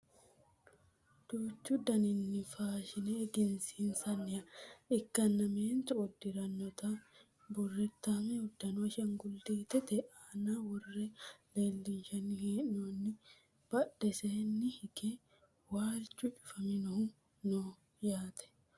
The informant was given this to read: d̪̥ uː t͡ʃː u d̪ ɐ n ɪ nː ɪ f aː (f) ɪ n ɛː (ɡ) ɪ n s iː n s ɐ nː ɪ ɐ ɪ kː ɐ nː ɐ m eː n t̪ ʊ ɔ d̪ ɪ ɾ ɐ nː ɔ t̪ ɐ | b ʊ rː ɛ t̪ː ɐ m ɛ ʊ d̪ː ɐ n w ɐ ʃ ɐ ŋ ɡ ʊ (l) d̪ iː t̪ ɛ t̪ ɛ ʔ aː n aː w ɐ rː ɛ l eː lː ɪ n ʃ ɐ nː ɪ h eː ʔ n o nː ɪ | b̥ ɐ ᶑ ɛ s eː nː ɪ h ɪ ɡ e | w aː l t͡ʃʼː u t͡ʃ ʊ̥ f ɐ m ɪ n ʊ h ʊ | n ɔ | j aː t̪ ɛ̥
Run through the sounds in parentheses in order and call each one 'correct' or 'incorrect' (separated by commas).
incorrect, correct, correct